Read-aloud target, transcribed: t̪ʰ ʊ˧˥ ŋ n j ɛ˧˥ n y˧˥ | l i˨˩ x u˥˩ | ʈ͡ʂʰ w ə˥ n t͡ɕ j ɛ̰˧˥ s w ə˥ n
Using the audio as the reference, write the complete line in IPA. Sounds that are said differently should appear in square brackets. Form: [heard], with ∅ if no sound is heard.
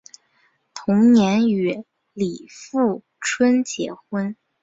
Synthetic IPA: t̪ʰ ʊ˧˥ ŋ n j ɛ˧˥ n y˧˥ | l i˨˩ [f] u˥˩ | ʈ͡ʂʰ w ə˥ n t͡ɕ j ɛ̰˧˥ [x] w ə˥ n